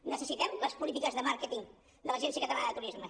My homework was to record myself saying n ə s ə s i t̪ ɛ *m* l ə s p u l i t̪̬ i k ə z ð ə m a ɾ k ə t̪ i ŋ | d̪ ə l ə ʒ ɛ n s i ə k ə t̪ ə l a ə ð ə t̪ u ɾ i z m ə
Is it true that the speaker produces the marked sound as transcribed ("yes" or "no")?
yes